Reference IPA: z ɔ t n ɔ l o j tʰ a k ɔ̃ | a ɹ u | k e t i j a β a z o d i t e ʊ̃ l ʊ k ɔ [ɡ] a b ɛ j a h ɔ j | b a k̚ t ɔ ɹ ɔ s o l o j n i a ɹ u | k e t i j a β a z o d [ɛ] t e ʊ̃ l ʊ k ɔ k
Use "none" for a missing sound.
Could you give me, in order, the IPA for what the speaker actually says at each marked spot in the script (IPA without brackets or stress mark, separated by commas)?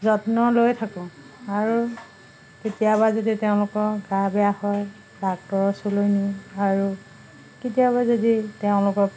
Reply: ɡ, i